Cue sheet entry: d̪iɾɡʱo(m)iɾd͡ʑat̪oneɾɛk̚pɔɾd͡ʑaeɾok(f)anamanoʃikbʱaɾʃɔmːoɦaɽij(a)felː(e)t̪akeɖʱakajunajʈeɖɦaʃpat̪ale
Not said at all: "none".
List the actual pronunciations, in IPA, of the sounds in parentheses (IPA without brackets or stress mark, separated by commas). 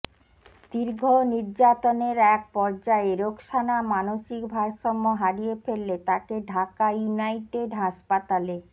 n, ʃ, e, e